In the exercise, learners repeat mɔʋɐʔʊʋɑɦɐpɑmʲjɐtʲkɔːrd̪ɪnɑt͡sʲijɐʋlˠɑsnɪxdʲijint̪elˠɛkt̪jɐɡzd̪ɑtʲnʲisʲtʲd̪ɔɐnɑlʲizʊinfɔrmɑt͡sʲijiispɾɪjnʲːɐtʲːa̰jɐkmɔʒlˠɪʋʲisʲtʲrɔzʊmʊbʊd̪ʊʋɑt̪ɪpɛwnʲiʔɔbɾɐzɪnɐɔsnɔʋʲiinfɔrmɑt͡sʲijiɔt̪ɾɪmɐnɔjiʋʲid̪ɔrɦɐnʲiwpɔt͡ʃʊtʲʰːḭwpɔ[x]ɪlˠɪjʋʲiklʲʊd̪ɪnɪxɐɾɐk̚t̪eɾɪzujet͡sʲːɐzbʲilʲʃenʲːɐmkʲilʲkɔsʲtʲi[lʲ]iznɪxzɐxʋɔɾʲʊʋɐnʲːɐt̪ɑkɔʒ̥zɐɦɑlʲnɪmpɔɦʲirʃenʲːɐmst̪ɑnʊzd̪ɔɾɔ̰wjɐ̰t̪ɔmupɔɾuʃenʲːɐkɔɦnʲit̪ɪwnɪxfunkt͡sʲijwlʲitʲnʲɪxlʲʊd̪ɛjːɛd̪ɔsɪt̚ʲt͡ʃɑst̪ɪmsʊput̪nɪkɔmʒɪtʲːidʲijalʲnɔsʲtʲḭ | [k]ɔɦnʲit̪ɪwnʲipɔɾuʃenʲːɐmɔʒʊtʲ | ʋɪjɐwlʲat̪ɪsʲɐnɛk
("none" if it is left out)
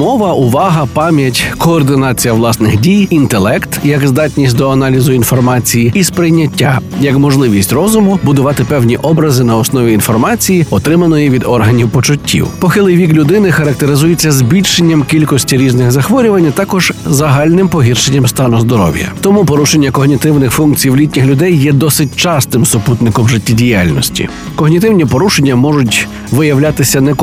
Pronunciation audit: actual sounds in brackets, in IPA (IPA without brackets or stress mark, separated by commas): x, ɾʲ, k